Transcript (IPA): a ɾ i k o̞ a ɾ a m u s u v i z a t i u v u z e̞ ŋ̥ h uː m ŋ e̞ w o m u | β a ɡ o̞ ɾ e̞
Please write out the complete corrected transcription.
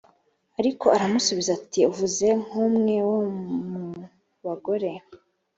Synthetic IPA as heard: a ɾ i k o̞ a ɾ a m u s u β i z a t i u v u z e̞ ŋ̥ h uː m ŋ e̞ w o m u | β a ɡ o̞ ɾ e̞